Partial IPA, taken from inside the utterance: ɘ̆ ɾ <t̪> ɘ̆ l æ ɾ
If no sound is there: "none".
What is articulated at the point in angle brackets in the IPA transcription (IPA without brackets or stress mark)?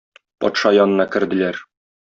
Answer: d̪